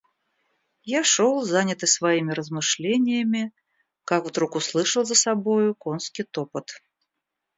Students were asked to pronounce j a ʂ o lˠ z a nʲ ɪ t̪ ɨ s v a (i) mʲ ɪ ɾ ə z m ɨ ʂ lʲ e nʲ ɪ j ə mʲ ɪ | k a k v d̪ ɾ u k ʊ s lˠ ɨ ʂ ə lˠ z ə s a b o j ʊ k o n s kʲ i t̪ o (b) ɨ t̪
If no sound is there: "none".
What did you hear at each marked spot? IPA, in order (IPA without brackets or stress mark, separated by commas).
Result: i, p